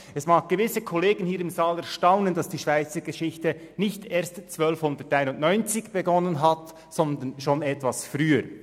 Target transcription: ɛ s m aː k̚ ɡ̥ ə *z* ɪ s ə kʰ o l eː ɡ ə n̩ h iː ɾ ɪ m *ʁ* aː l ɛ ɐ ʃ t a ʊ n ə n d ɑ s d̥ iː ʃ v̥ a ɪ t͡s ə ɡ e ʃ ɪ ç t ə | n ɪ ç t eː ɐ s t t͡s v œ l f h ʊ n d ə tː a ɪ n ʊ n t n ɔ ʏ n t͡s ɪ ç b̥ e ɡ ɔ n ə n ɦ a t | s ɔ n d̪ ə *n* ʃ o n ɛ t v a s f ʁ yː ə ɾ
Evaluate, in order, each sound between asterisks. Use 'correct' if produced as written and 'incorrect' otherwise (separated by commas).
incorrect, incorrect, correct